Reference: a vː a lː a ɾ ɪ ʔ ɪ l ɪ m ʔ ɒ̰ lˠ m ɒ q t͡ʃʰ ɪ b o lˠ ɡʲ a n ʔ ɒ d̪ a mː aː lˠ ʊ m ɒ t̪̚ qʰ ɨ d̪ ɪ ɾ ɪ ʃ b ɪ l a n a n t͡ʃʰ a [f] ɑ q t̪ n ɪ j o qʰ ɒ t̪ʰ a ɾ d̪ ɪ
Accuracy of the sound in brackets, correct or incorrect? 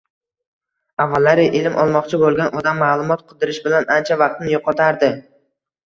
incorrect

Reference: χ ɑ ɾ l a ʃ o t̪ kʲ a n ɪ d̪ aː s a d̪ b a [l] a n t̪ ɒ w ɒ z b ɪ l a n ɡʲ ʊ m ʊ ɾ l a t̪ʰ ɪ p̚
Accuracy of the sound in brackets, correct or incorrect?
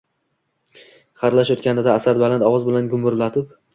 correct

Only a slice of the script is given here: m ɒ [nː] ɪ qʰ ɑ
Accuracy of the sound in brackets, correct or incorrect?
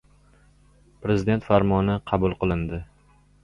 incorrect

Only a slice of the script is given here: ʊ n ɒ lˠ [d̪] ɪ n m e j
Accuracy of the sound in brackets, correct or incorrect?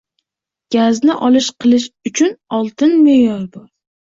incorrect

